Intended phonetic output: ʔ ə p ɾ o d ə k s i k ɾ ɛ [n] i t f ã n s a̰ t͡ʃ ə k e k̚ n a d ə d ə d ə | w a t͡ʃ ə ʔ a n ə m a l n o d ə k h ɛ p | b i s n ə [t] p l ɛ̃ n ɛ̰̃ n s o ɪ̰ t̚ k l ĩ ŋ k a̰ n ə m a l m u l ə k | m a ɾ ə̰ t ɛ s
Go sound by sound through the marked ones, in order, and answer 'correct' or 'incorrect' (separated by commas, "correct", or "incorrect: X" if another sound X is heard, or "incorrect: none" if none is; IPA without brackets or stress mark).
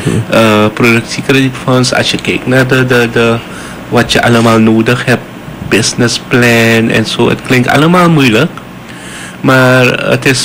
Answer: incorrect: d, incorrect: s